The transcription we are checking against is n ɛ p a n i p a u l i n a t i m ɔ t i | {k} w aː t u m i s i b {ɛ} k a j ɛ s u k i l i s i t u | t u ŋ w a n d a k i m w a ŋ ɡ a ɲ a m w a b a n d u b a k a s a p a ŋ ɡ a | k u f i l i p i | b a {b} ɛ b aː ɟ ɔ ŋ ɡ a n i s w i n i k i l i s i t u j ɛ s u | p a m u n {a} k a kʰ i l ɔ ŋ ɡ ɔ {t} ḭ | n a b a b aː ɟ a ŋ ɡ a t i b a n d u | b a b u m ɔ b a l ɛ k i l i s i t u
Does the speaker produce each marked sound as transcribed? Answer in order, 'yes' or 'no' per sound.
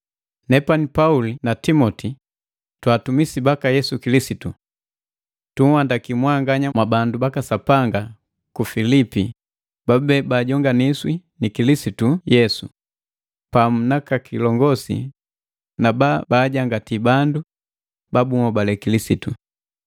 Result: no, no, yes, yes, no

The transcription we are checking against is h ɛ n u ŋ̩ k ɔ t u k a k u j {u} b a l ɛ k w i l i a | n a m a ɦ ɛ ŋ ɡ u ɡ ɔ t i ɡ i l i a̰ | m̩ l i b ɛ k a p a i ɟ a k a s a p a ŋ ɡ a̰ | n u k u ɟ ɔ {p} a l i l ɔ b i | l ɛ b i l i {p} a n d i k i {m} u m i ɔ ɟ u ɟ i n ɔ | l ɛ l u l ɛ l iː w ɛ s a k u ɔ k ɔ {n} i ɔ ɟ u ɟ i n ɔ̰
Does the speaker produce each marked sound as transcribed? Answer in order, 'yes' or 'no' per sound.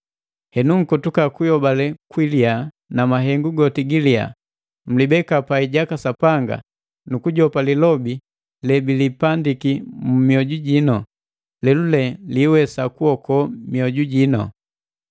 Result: no, yes, yes, yes, no

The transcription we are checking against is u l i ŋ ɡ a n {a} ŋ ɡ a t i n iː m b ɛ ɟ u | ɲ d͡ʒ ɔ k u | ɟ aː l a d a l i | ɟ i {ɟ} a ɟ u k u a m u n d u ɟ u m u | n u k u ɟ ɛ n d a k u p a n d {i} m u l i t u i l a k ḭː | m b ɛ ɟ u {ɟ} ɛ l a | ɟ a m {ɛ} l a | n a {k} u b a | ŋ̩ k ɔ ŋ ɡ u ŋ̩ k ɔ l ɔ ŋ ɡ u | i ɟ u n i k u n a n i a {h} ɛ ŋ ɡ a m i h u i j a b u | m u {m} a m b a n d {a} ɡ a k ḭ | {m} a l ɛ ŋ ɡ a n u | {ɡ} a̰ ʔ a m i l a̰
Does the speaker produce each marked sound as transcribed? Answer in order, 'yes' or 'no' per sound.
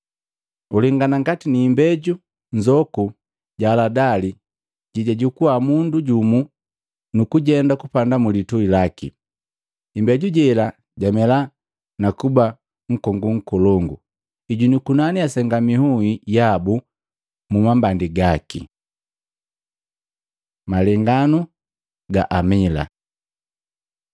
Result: yes, yes, no, yes, yes, yes, no, yes, no, yes, yes

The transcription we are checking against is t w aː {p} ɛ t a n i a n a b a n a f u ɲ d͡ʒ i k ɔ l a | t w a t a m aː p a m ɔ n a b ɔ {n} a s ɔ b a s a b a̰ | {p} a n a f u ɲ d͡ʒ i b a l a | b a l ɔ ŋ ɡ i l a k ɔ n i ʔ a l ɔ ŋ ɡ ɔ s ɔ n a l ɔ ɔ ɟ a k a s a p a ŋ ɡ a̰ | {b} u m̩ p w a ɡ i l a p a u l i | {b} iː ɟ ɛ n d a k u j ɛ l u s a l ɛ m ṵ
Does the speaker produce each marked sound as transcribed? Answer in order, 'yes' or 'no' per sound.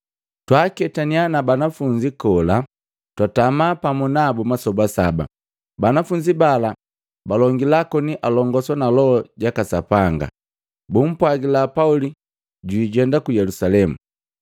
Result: no, no, no, yes, no

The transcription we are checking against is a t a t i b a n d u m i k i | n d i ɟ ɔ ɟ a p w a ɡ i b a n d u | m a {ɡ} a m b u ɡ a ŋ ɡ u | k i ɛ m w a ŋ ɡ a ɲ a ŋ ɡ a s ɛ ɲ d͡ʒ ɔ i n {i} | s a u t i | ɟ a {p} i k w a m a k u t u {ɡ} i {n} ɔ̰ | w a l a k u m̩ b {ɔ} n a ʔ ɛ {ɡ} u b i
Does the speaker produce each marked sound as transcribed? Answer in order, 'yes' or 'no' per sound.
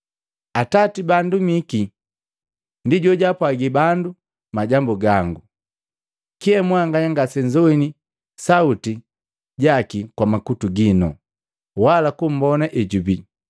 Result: no, yes, no, yes, yes, yes, no

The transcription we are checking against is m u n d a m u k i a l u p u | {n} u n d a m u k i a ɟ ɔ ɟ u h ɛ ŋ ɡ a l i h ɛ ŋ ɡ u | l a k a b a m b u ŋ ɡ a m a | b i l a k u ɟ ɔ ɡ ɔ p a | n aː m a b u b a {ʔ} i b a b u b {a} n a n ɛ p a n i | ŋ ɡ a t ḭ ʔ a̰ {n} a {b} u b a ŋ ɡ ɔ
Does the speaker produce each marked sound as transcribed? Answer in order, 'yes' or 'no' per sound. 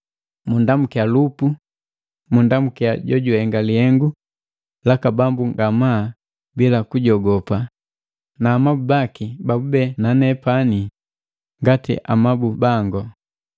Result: no, no, no, no, yes

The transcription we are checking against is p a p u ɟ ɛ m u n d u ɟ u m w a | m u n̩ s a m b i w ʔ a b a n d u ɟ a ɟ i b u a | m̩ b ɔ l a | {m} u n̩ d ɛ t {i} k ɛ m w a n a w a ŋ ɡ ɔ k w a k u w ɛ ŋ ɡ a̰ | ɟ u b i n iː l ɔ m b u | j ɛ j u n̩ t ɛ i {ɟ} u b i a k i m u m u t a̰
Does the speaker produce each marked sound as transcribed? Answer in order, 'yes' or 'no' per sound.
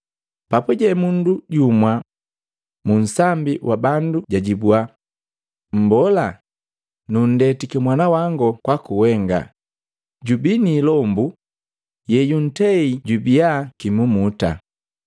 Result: no, yes, yes

